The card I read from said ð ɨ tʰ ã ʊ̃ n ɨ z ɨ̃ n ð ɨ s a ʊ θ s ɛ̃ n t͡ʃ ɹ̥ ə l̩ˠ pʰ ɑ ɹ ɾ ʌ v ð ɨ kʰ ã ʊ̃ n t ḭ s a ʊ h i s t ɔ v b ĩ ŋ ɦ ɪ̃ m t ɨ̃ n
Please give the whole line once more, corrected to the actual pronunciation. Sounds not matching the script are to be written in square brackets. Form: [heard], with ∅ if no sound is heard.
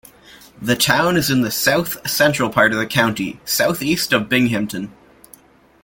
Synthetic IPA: ð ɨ tʰ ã ʊ̃ n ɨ z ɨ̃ n ð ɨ s a ʊ θ s ɛ̃ n t͡ʃ ɹ̥ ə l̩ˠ pʰ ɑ ɹ ɾ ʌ v ð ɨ kʰ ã ʊ̃ n t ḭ s a ʊ [θ] i s t [ʌ] v b [ɪ̃] ŋ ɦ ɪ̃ m t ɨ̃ n